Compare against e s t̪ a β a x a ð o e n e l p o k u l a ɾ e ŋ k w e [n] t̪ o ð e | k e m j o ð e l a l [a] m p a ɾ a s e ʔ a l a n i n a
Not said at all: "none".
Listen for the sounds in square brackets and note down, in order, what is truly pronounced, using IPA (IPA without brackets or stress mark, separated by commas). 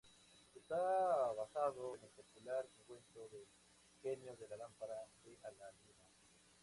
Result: n, a